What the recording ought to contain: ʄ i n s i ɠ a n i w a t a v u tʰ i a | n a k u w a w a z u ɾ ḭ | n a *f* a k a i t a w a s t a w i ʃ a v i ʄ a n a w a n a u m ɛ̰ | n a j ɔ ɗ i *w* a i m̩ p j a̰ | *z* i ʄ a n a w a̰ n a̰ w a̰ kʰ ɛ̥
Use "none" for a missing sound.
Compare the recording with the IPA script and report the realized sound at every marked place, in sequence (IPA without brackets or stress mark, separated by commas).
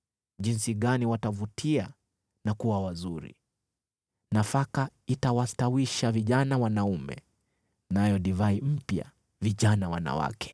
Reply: f, v, v